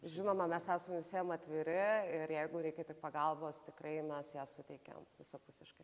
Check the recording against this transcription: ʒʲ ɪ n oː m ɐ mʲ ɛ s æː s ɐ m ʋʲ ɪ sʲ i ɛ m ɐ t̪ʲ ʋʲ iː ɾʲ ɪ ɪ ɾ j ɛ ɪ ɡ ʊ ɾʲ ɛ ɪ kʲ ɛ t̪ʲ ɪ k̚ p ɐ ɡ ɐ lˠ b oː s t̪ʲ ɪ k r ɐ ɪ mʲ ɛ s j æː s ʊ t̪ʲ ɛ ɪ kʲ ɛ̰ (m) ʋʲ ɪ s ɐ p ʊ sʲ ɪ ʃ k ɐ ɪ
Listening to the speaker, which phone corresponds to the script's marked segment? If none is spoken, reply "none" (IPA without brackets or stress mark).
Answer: m